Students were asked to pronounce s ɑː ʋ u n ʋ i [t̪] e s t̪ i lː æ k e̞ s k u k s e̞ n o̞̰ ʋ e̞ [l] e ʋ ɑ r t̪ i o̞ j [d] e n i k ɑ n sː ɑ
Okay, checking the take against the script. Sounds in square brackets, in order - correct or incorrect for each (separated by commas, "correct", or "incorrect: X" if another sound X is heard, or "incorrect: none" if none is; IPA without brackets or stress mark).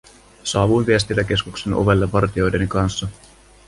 incorrect: none, incorrect: lː, correct